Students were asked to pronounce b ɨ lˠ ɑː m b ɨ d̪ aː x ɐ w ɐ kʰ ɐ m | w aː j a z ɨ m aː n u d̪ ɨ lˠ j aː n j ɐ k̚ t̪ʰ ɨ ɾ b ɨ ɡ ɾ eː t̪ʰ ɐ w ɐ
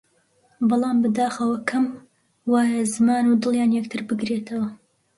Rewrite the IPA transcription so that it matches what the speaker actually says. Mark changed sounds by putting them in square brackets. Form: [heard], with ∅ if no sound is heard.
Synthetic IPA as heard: b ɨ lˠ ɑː m b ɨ d̪ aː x ɐ w ɐ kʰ ɐ m | w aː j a z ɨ m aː n u d̪ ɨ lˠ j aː n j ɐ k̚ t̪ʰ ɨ ɾ b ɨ ɡ ɾ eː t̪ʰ ɐ w ɐ